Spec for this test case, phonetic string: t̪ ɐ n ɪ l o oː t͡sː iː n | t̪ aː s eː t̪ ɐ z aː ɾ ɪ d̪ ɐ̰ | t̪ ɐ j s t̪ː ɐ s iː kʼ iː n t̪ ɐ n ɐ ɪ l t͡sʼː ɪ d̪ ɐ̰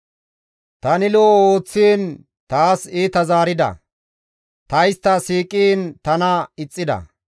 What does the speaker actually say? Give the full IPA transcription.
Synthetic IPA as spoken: t̪ ɐ n ɪ l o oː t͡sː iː n | t̪ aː s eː t̪ ɐ z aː ɾ ɪ d̪ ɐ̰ | t̪ ɐ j s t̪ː ɐ s iː kʼ iː n t̪ ɐ n ɐ ɪ t͡sʼː ɪ d̪ ɐ̰